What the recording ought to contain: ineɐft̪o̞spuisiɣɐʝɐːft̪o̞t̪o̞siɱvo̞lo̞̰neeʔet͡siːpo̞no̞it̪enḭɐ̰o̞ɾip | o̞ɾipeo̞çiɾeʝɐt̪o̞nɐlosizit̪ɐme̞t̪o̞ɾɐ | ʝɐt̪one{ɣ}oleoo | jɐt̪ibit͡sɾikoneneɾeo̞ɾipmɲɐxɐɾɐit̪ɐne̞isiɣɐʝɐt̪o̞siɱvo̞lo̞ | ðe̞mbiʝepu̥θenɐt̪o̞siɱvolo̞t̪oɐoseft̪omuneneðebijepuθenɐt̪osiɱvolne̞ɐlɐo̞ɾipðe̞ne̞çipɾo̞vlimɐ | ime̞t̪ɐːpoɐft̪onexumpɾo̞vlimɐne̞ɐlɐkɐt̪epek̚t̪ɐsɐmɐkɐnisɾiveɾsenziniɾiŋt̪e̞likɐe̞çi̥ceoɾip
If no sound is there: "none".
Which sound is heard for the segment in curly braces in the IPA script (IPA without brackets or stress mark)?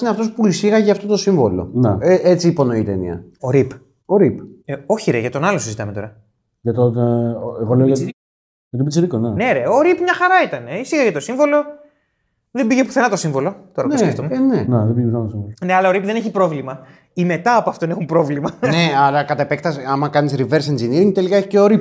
ɣ